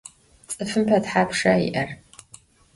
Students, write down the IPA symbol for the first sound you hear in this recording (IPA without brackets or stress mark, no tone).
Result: t͡sʼ